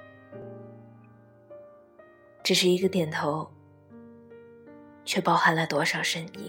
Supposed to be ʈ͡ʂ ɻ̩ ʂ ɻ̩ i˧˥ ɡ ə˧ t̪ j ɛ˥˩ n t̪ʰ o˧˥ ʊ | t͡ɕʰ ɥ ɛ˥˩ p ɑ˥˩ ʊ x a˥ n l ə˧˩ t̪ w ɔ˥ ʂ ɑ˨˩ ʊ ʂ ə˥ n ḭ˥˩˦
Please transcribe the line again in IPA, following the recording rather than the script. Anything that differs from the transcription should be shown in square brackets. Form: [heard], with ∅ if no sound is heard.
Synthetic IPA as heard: ʈ͡ʂ ɻ̩ ʂ ɻ̩ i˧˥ ɡ ə˧ t̪ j [ɛ˨˩] n t̪ʰ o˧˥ ʊ | t͡ɕʰ ɥ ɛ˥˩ p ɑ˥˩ ʊ x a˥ n l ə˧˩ t̪ w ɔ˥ ʂ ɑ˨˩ ʊ ʂ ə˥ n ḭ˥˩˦